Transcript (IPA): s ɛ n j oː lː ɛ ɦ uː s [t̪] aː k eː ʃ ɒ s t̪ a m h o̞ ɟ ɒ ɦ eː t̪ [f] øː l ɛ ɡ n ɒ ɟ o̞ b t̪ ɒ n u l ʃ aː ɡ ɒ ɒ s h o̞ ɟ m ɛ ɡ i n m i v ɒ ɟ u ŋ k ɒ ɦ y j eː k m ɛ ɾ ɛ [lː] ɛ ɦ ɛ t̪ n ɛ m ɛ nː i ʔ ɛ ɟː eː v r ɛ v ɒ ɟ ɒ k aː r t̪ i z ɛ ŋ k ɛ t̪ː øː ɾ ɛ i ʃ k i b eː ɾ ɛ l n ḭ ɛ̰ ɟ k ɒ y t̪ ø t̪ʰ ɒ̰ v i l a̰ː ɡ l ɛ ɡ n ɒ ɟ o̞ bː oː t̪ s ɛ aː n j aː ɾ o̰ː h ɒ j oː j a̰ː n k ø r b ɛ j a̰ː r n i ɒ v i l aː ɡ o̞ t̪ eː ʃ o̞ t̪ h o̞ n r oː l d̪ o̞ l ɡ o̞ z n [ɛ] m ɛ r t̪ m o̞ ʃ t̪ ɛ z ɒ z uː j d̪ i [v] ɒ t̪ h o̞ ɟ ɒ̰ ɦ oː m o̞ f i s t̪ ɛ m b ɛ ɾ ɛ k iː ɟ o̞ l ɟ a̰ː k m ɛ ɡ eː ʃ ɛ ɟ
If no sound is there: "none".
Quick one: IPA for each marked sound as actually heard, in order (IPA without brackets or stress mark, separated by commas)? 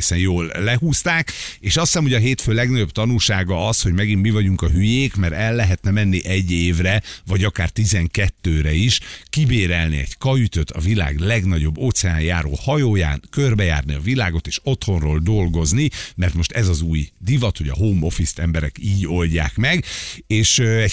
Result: t̪, f, lː, i, v